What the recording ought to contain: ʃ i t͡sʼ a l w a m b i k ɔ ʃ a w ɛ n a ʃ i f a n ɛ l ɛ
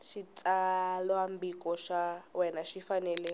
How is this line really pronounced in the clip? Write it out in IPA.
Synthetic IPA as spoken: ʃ i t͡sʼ a l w a m b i k ɔ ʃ a w ɛ n a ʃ i f a n ɛ l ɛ

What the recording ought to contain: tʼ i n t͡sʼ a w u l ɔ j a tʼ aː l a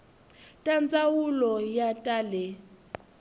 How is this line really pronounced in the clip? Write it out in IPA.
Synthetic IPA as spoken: tʼ a n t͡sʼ a w u l ɔ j a tʼ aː l ɛ

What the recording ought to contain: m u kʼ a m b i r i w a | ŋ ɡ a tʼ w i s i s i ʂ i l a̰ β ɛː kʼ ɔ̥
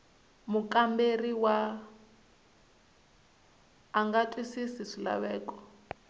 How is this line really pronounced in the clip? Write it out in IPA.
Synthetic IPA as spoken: m u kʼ a m b e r i w a | ŋ ɡ a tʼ w i s i s i ʂ i l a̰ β ɛː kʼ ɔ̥

